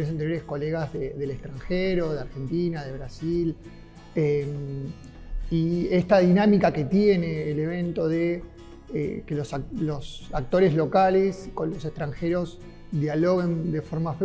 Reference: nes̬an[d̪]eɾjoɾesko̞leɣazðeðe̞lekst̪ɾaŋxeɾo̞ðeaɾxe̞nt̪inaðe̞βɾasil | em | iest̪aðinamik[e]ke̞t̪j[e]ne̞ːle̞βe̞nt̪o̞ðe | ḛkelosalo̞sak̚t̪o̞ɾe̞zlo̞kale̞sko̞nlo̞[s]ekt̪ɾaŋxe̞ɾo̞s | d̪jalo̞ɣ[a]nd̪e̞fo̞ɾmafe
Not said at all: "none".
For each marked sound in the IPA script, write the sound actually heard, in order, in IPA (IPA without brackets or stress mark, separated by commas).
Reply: t̪, a, e, s, e